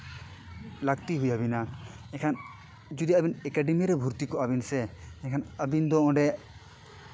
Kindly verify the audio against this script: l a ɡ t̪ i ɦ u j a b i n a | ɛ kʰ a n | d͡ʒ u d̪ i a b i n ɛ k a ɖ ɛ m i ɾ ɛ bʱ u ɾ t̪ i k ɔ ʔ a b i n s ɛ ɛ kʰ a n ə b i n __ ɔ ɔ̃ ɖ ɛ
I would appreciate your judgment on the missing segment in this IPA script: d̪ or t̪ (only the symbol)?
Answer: d̪